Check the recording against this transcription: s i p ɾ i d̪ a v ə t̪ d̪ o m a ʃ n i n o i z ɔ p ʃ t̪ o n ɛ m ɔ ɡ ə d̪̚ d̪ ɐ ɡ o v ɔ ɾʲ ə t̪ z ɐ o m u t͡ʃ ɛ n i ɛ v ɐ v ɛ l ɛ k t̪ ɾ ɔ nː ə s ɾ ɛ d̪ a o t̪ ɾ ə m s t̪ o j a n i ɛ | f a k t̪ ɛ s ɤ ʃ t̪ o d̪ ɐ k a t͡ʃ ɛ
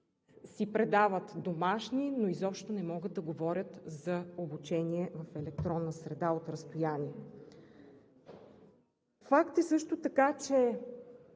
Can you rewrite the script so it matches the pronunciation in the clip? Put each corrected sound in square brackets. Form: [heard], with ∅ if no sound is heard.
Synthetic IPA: s i p ɾ [ɛ] d̪ a v ə t̪ d̪ o m a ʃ n i n o i z ɔ p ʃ t̪ o n ɛ m ɔ ɡ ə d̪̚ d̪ ɐ ɡ o v ɔ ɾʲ ə t̪ z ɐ o [b] u t͡ʃ ɛ n i ɛ v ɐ [f] ɛ l ɛ k t̪ ɾ ɔ nː ə s ɾ ɛ d̪ a o t̪ ɾ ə [∅] s t̪ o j a n i ɛ | f a k t̪ ɛ s ɤ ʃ t̪ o [t̪] ɐ k a t͡ʃ ɛ